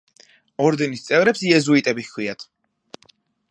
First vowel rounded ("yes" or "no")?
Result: yes